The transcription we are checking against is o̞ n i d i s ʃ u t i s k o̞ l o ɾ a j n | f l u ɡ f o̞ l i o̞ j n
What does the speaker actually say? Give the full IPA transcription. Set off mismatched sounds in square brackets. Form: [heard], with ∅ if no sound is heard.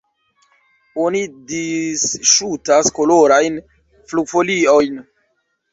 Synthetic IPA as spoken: o̞ n i d i s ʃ u t [a] s k o̞ l o ɾ a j n | f l u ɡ f o̞ l i o̞ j n